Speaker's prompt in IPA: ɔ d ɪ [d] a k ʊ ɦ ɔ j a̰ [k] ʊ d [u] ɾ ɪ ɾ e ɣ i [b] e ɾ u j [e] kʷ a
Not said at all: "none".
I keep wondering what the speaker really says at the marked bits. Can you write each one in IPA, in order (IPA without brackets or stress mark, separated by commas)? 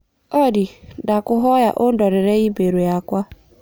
d, ʔ, ɔ, b, a